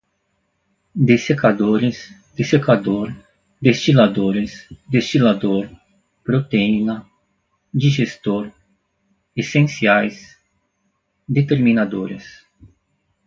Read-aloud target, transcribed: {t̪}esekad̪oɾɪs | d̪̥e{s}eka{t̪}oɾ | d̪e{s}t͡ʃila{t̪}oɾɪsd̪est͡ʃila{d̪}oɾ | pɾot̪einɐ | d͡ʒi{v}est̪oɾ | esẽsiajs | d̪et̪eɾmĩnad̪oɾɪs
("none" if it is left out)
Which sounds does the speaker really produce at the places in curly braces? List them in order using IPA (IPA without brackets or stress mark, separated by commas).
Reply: d̪, s, d̪, s, d̪, d̪, ʒ